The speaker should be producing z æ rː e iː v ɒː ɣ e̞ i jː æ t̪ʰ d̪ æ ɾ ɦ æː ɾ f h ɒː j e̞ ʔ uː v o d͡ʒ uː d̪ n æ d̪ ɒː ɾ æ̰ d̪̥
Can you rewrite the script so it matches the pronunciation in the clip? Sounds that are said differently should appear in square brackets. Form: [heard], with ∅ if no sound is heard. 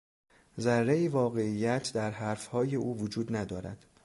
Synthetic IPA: z æ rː e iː v ɒː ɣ e̞ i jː æ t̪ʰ d̪ æ ɾ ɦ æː ɾ f h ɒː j e̞ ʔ uː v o d͡ʒ uː d̪ n æ d̪ ɒː ɾ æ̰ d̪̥